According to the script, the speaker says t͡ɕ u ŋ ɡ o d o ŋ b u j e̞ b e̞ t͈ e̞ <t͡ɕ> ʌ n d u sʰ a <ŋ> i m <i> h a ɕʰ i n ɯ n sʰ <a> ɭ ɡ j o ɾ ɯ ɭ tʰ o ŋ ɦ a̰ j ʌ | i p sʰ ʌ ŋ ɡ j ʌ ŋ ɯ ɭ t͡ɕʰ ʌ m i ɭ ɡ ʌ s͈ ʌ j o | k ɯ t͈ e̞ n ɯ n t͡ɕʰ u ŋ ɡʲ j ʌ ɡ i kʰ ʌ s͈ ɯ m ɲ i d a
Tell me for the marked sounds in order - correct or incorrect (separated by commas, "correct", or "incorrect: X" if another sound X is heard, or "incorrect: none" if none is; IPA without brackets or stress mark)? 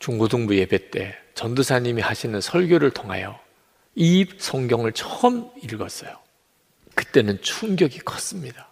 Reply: correct, incorrect: ɲ, correct, incorrect: ʌ